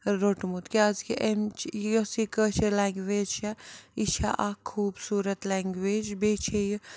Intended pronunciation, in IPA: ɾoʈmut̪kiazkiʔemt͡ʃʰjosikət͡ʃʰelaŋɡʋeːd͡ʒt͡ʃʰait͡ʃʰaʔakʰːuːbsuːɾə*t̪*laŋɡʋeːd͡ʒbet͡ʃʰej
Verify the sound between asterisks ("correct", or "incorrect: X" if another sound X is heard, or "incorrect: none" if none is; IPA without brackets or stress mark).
correct